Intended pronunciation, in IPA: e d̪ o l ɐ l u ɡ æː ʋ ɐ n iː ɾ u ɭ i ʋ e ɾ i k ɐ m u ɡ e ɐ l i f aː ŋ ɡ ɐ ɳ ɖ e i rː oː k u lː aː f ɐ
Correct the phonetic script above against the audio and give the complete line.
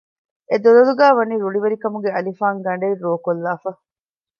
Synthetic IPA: e d̪ o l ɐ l u ɡ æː ʋ ɐ n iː ɾ u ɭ i ʋ e ɾ i k ɐ m u ɡ e ɐ l i f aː ŋ ɡ ɐ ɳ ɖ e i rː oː k o lː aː f ɐ